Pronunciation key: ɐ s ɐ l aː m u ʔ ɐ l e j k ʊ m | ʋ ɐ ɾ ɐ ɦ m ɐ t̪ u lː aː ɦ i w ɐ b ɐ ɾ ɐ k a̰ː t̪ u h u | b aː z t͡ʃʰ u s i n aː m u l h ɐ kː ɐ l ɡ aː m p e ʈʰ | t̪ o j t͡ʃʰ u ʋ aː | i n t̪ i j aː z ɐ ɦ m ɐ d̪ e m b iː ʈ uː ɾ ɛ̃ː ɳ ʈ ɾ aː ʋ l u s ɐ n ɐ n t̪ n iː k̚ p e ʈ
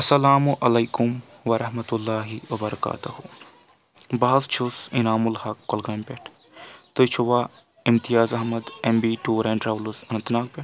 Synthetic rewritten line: ɐ s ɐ l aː m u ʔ ɐ l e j k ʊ m | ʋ ɐ ɾ ɐ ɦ m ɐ t̪ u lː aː ɦ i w ɐ b ɐ ɾ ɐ k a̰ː t̪ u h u | b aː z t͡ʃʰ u s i n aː m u l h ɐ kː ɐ l ɡ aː m p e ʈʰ | t̪ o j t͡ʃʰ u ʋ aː | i m t̪ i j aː z ɐ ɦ m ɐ d̪ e m b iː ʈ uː ɾ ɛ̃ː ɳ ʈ ɾ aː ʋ l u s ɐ n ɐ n t̪ n aː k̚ p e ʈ